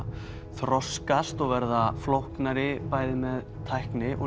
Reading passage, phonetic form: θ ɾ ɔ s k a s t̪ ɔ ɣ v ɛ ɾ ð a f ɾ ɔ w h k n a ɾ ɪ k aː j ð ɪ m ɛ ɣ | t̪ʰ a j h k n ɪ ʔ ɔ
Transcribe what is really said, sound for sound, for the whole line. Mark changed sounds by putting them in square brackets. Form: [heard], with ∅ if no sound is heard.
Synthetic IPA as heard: θ ɾ ɔ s k a s t̪ ɔ ɣ v ɛ ɾ ð a f [l] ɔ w h k n a ɾ ɪ [p] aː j ð ɪ m ɛ [ð] | t̪ʰ a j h k n ɪ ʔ ɔ